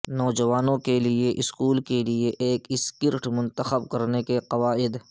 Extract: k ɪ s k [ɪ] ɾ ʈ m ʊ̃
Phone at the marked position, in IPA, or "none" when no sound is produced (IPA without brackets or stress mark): ɪ